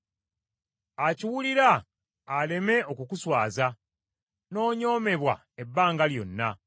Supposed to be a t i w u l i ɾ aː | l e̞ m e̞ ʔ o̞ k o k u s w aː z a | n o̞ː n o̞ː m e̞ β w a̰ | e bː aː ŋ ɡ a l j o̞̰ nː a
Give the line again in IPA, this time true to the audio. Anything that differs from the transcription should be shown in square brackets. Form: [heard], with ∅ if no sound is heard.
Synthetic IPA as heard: a [c] i w u l i ɾ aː | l e̞ m e̞ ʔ o̞ k [u] k u s w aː z a | n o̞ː [ɲ] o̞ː m e̞ β w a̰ | e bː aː ŋ ɡ a l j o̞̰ nː a